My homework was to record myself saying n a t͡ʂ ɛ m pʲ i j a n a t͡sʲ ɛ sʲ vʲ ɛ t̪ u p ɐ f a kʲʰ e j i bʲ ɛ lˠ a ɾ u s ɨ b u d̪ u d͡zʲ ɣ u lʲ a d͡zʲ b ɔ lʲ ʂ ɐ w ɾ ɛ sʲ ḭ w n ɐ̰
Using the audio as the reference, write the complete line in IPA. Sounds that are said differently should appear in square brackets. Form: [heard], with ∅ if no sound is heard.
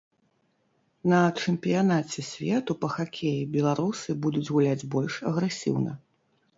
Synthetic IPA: n [ɐ] t͡ʂ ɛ m pʲ i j a n a t͡sʲ ɛ sʲ vʲ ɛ t̪ u p ɐ [x] a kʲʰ e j i bʲ ɛ lˠ a ɾ u s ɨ b u d̪ u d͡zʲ ɣ u lʲ a d͡zʲ b ɔ lʲ ʂ ɐ [ɣ] ɾ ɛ sʲ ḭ w n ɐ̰